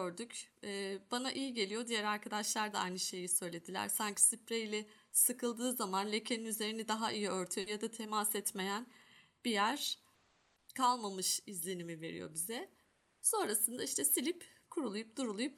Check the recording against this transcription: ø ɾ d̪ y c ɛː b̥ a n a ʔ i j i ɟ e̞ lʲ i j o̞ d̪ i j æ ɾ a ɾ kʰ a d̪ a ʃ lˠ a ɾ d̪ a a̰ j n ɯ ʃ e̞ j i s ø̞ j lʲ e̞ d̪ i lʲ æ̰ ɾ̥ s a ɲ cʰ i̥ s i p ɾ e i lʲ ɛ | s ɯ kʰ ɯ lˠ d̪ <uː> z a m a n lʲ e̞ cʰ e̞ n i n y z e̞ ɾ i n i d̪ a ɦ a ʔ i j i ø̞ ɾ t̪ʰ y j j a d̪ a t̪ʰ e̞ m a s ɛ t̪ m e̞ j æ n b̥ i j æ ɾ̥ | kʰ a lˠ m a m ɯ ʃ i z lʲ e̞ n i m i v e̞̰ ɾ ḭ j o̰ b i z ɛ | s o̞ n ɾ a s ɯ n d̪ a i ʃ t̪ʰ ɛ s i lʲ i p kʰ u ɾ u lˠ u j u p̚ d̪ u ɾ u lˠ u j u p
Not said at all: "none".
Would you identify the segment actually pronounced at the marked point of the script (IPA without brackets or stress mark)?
ɯː